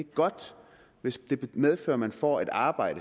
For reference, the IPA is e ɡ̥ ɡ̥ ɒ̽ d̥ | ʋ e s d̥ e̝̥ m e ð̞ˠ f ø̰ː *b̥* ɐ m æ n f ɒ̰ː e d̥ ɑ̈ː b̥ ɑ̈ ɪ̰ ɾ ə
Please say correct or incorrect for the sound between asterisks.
incorrect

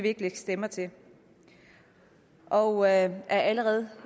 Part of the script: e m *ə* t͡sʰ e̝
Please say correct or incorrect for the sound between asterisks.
incorrect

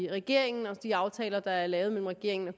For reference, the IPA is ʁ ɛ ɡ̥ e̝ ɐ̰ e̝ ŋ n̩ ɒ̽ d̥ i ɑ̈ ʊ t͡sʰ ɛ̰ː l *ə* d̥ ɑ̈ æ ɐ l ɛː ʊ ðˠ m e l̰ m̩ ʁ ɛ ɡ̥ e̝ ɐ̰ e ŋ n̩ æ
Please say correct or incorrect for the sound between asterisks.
incorrect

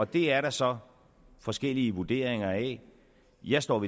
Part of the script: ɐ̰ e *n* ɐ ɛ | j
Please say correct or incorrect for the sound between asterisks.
incorrect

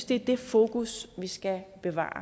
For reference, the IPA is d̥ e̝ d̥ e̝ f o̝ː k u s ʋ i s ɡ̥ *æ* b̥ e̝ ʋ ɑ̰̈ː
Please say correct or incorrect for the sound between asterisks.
correct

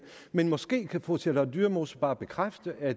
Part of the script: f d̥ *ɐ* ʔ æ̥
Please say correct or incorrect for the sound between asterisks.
incorrect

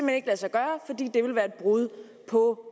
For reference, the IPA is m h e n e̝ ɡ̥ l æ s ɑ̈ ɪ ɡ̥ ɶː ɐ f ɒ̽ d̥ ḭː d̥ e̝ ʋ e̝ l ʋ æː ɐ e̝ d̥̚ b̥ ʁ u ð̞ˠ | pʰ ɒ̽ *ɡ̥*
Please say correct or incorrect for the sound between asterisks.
incorrect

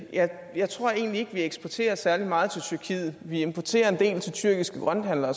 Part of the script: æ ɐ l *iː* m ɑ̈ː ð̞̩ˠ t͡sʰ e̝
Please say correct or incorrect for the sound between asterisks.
incorrect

